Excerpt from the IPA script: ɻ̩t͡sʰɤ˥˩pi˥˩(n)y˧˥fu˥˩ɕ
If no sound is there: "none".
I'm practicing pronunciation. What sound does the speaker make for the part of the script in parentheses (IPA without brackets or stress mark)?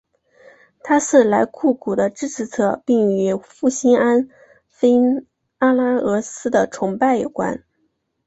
ŋ